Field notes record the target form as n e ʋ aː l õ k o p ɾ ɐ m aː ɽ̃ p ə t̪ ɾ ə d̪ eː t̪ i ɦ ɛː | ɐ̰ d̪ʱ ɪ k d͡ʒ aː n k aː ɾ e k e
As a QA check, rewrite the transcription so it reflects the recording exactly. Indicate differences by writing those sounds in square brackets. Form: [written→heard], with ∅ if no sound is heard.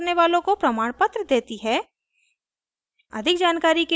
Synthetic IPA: n e ʋ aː l õ k o p ɾ ɐ m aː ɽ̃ p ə t̪ ɾ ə d̪ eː t̪ i ɦ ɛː | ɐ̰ d̪ʱ ɪ k d͡ʒ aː n k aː ɾ [e→i] k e